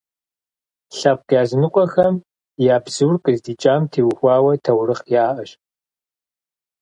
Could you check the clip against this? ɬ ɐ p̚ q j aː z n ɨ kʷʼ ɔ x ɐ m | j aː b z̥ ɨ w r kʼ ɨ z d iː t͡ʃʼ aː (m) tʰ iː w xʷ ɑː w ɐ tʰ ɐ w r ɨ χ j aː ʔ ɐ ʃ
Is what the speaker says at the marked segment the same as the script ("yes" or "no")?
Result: yes